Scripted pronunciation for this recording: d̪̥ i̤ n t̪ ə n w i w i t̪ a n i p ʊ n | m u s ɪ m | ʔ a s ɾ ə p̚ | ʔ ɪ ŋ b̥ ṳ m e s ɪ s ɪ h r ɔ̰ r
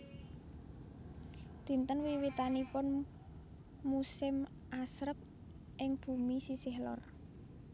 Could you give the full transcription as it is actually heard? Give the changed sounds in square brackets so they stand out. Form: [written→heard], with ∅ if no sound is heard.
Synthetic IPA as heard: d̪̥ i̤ n t̪ ə n w i w i t̪ a n i p ʊ n | m u s ɪ m | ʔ a s ɾ ə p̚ | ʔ ɪ ŋ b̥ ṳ m [e→i] s [ɪ→i] s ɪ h [r→l] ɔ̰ r